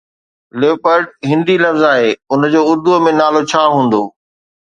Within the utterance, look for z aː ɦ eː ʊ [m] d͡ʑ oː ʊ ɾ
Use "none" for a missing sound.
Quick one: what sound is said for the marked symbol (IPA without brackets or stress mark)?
n